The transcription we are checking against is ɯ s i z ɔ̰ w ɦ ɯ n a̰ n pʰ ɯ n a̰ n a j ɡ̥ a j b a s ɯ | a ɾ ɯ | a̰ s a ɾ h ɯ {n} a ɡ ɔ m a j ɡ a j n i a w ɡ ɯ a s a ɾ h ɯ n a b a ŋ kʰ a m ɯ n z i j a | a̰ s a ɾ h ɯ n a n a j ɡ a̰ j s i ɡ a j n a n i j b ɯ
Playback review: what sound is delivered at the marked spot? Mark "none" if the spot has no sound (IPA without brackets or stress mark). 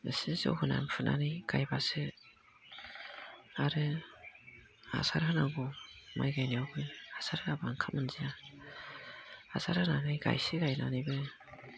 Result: n